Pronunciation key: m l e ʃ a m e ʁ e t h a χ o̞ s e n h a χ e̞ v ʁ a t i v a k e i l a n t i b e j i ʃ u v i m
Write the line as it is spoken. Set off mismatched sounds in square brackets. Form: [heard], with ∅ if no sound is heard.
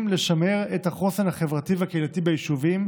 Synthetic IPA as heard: m l e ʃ a m e ʁ e t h a χ o̞ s e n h a χ e̞ v ʁ a t i v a k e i l a [∅] t i b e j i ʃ u v i m